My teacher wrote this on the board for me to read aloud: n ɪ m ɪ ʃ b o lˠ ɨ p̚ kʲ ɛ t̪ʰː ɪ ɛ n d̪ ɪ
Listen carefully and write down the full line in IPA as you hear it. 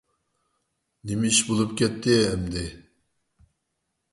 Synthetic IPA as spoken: n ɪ m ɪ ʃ b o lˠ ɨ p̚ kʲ ɛ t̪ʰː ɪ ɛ m d̪ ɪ